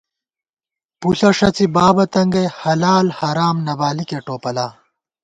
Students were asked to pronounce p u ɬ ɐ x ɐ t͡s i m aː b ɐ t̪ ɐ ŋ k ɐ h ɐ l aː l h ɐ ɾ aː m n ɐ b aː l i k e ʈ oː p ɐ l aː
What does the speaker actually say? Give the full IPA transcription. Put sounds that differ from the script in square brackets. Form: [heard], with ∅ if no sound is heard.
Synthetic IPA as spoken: p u ɬ ɐ [ʂ] ɐ t͡s i [b] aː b ɐ t̪ ɐ ŋ [ɡ] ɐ h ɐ l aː l h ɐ ɾ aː m n ɐ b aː l i k e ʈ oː p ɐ l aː